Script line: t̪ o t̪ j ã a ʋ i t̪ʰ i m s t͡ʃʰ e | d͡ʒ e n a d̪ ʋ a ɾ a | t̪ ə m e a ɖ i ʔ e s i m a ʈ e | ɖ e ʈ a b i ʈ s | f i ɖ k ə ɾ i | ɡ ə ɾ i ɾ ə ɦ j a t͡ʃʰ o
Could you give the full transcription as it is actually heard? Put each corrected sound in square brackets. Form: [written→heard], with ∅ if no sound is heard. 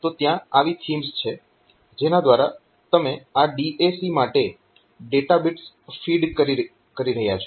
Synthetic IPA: t̪ o t̪ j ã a ʋ i t̪ʰ i m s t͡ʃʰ e | d͡ʒ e n a d̪ ʋ a ɾ a | t̪ ə m e a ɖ i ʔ e s i m a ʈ e | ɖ e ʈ a b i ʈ s | f i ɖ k ə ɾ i | [ɡ→k] ə ɾ i ɾ ə ɦ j a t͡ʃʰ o